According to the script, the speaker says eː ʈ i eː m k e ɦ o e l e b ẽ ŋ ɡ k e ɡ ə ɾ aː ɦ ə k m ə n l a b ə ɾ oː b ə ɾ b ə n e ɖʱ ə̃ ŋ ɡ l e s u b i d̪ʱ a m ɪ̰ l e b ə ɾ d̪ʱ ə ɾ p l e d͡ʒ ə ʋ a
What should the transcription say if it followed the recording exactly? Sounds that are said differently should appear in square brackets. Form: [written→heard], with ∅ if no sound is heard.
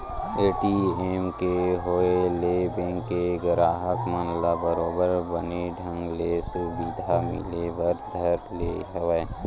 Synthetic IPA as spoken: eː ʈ i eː m k e ɦ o e l e b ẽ ŋ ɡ k e ɡ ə ɾ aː ɦ ə k m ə n l a b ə ɾ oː b ə ɾ b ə n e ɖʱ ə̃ ŋ ɡ l e s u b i d̪ʱ a m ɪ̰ l e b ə ɾ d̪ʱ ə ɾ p l e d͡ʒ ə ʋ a